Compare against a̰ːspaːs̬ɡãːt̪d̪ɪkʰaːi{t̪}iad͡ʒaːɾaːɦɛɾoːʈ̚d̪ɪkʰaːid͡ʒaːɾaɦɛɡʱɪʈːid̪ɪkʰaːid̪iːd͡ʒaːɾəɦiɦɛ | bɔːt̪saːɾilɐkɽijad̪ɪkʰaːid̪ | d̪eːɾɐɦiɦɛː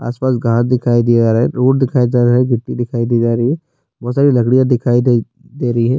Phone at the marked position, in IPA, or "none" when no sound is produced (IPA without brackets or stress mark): d̪